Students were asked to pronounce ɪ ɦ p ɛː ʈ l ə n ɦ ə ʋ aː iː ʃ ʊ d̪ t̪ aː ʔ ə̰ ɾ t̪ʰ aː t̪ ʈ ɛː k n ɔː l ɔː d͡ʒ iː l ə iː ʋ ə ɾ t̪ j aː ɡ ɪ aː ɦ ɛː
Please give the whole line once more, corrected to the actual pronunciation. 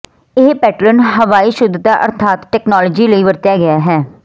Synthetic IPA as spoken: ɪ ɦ p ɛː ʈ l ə n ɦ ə ʋ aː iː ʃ ʊ d̪ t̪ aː ʔ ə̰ ɾ t̪ʰ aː t̪ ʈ ɛː k n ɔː l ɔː d͡ʒ iː l ə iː ʋ ə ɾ t̪ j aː ɡ ɪ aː ɦ ɛː